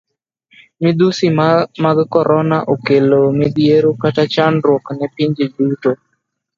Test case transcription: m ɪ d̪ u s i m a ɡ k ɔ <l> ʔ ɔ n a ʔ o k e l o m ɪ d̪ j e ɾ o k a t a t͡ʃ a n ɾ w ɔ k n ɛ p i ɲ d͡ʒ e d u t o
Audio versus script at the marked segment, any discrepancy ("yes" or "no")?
yes